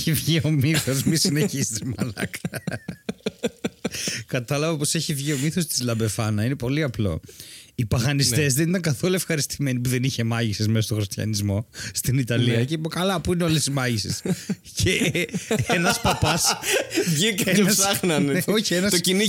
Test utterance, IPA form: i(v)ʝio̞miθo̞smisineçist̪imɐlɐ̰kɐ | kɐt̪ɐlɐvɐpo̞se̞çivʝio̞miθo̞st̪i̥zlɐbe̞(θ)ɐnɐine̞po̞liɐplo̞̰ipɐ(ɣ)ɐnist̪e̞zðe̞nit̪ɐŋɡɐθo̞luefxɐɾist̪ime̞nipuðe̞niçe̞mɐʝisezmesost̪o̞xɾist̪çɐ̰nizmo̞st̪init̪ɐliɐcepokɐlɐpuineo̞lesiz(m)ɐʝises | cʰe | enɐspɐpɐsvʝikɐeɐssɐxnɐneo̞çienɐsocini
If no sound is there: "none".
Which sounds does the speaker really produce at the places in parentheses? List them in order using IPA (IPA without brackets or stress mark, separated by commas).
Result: v, f, ɣ, m